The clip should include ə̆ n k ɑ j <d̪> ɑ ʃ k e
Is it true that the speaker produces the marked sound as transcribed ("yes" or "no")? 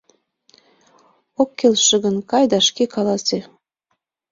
yes